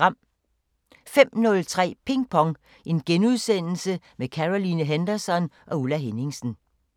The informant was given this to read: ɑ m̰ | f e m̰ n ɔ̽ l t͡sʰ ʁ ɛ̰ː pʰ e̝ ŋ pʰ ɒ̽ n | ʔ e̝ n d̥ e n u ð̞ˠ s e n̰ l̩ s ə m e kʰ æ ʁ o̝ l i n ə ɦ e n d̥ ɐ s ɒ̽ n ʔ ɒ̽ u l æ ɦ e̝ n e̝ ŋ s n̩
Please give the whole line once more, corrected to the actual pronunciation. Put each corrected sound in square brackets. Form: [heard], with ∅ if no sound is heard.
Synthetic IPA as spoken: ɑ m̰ | f e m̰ n ɔ̽ l t͡sʰ ʁ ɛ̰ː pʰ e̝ ŋ pʰ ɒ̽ [ŋ] | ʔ e̝ n [ɡ̥] e n u ð̞ˠ s e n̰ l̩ s ə m e kʰ æ ʁ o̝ l i n ə ɦ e n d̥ ɐ s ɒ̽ n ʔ ɒ̽ u l æ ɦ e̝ n e̝ ŋ s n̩